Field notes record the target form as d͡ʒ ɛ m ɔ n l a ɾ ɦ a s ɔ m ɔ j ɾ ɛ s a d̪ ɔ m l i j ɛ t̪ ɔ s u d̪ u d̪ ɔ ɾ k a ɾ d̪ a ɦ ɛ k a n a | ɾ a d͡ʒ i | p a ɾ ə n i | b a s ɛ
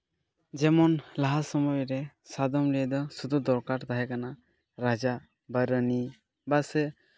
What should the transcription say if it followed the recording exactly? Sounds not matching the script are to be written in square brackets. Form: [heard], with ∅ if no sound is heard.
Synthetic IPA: d͡ʒ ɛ m ɔ n l a [∅] ɦ a s ɔ m ɔ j ɾ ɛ s a d̪ ɔ m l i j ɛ [d̪] ɔ s u d̪ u d̪ ɔ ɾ k a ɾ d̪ a ɦ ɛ k a n a | ɾ a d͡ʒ [a] | [b] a ɾ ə n i | b a s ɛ

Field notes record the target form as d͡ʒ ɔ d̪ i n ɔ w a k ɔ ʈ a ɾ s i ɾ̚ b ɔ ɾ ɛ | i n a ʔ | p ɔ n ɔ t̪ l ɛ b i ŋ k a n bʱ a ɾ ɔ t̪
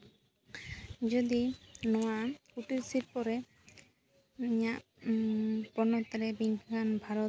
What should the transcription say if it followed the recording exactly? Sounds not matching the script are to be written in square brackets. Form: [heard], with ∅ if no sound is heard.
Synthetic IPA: d͡ʒ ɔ d̪ i n ɔ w a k [u] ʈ [i] ɾ s i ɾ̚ [p] ɔ ɾ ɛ | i [ɲ] a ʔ | p ɔ n ɔ t̪ [ɾ] ɛ b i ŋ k a n bʱ a ɾ ɔ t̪

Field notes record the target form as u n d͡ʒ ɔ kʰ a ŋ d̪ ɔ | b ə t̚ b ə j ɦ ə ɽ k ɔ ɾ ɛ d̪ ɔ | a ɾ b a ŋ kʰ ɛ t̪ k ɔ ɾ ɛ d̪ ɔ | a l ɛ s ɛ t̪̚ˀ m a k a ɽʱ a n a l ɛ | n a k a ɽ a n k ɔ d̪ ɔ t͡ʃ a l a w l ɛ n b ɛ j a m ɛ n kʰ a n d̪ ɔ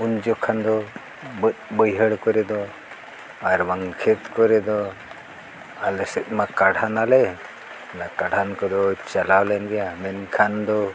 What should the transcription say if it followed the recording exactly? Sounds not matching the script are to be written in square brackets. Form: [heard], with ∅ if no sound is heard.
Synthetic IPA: u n d͡ʒ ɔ kʰ a [n] d̪ ɔ | b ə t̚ b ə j ɦ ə ɽ k ɔ ɾ ɛ d̪ ɔ | a ɾ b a ŋ kʰ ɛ t̪ k ɔ ɾ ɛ d̪ ɔ | a l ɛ s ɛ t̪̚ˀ m a k a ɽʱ a n a l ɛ | n a k a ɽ a n k ɔ d̪ ɔ t͡ʃ a l a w l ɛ n [ɡ] ɛ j a m ɛ n kʰ a n d̪ ɔ

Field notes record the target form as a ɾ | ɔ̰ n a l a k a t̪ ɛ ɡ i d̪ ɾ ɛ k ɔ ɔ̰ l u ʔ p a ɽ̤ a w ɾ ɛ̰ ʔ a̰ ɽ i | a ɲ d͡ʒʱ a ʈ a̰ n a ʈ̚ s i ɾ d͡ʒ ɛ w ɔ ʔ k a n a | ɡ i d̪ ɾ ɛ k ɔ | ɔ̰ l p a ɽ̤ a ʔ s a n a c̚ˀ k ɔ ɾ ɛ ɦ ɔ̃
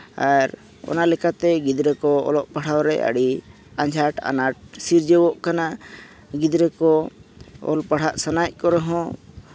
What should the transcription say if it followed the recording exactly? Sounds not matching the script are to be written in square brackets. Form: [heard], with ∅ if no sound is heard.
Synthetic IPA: a ɾ | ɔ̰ n a l [ɛ] k a t̪ ɛ ɡ i d̪ ɾ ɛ k ɔ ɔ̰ l [ɔ] ʔ p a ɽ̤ a w ɾ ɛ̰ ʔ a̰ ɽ i | a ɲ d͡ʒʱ a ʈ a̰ n a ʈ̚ s i ɾ d͡ʒ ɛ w ɔ ʔ k a n a | ɡ i d̪ ɾ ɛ k ɔ | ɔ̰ l p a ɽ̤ a ʔ s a n a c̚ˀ k ɔ ɾ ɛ ɦ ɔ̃

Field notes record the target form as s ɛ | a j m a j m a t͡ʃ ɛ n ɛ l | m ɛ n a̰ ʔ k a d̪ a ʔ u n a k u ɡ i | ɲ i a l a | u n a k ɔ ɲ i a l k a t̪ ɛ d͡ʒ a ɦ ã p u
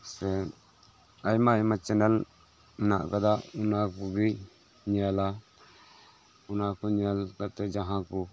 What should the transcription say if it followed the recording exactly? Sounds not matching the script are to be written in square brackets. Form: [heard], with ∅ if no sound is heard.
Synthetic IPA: s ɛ | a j m a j m a t͡ʃ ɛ n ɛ l | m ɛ n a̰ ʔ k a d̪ a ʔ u n a k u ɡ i | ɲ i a l a | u n a k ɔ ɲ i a l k a t̪ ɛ d͡ʒ a ɦ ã [k] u

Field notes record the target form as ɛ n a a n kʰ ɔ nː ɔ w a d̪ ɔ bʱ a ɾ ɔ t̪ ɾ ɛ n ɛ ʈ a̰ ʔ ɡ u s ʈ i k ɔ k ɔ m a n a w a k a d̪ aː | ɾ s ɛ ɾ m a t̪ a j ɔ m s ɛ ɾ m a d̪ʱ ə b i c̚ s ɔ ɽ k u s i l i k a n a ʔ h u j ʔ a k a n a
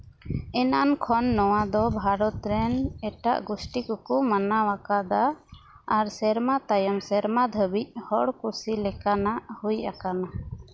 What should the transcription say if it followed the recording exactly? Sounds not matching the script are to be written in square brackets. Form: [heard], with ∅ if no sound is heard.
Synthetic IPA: ɛ n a a n kʰ ɔ nː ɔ w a d̪ ɔ bʱ a ɾ ɔ t̪ ɾ ɛ n ɛ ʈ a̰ ʔ ɡ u s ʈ i k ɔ k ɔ m a n a w a k a d̪ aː | ɾ s ɛ ɾ m a t̪ a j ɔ m s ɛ ɾ m a d̪ʱ ə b i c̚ [h] ɔ ɽ k u s i l [ɛ] k a n a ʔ h u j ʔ a k a n a

